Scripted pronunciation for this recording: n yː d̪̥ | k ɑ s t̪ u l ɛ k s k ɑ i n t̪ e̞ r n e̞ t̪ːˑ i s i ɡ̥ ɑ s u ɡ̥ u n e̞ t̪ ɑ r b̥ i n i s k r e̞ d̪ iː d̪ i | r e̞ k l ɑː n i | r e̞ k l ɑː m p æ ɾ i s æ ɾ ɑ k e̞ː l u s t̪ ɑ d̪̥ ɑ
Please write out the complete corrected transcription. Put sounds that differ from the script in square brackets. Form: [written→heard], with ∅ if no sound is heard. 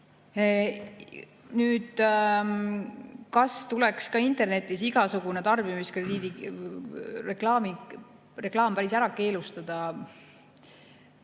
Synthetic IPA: n yː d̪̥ | k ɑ s t̪ u l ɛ k s k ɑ i n t̪ e̞ r n e̞ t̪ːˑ i s i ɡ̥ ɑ s u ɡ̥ u n e̞ t̪ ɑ r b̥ i [n→m] i s k r e̞ d̪ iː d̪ i | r e̞ k l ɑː [n→m] i | r e̞ k l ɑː m p æ ɾ i s æ ɾ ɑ k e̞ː l u s t̪ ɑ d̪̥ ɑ